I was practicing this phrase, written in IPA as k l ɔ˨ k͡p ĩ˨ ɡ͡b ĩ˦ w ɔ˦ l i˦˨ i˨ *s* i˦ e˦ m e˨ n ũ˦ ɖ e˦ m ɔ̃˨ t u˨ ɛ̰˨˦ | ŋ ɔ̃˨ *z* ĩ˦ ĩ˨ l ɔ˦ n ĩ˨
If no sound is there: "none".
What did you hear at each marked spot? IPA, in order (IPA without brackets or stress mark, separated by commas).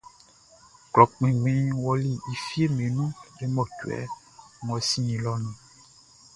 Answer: f, s